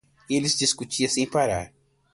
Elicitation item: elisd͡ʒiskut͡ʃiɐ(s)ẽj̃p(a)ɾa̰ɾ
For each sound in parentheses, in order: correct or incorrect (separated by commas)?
correct, correct